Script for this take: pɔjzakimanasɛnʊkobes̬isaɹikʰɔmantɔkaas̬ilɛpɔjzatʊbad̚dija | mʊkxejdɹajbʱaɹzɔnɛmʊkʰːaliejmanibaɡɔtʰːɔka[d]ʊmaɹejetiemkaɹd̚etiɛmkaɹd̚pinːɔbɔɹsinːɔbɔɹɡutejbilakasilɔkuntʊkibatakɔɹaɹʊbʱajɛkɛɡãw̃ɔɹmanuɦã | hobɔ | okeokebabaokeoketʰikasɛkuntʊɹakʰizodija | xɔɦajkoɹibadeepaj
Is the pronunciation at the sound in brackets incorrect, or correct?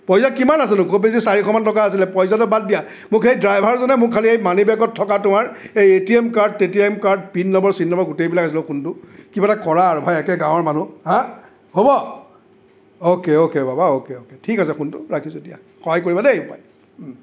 incorrect